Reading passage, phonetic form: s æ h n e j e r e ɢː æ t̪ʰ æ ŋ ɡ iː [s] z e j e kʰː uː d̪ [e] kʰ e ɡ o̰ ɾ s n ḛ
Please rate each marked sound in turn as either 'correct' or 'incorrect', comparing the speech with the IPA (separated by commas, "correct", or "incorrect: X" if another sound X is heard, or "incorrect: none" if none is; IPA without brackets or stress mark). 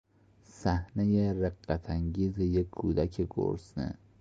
incorrect: none, incorrect: æ